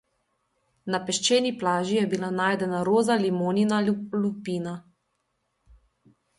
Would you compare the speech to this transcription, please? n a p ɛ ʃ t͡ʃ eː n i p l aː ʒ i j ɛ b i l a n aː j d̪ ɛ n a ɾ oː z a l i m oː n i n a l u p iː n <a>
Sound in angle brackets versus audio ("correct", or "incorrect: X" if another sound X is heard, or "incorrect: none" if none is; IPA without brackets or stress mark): correct